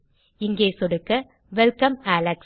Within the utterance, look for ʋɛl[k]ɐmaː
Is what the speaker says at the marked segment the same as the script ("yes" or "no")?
yes